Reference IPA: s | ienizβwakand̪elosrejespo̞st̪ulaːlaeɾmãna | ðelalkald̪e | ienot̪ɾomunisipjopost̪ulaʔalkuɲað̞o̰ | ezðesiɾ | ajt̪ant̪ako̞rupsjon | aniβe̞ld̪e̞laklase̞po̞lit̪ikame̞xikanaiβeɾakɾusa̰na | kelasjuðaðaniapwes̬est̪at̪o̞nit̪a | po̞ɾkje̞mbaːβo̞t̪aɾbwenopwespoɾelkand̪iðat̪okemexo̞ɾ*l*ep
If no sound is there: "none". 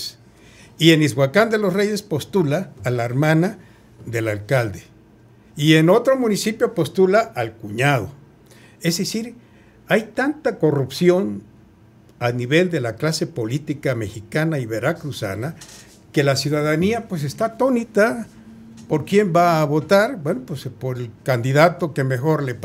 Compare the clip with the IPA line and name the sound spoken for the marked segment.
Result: l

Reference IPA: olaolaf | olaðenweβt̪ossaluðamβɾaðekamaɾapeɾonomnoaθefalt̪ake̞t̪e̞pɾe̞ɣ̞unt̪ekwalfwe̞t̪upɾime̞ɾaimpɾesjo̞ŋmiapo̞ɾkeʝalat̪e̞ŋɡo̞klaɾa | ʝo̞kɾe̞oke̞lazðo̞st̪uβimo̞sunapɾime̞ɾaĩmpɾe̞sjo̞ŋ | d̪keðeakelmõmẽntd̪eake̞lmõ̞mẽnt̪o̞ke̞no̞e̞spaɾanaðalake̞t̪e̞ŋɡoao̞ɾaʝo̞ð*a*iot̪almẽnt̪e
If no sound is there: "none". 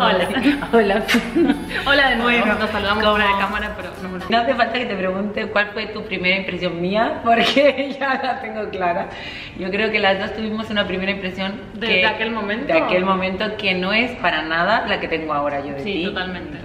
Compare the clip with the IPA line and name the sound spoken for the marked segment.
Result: e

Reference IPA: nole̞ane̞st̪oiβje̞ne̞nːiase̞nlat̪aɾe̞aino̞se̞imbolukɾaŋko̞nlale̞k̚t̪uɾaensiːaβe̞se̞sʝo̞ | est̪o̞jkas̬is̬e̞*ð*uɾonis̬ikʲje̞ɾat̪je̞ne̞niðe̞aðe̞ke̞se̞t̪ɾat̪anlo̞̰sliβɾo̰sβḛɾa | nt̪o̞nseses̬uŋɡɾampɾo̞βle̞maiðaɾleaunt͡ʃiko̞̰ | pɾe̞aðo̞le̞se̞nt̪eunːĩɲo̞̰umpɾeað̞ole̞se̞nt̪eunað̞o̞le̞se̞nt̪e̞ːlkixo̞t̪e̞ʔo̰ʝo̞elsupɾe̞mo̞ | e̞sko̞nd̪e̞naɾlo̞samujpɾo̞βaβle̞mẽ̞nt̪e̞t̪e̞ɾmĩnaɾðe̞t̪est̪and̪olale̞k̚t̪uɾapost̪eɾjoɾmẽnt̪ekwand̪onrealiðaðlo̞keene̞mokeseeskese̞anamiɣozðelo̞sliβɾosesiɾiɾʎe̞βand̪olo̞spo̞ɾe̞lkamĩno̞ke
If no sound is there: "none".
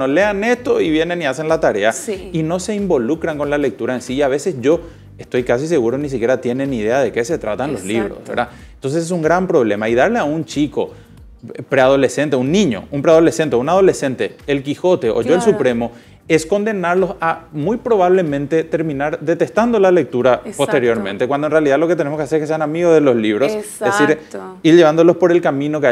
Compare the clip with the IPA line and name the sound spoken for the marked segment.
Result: ɣ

